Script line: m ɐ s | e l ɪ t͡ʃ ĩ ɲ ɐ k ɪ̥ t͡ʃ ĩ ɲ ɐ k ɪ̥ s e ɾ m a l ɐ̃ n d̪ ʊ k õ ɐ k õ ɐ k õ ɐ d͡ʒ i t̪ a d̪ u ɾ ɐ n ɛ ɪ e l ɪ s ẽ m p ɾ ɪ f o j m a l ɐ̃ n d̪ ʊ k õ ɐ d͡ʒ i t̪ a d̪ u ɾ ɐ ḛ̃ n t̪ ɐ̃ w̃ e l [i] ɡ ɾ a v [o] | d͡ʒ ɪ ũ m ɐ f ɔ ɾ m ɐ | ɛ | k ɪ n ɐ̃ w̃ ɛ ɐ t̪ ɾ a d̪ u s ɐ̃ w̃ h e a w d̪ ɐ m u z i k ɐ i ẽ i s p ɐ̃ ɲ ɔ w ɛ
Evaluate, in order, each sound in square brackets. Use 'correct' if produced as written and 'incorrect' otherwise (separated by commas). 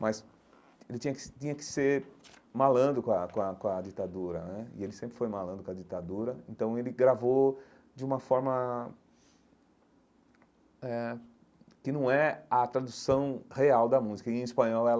incorrect, correct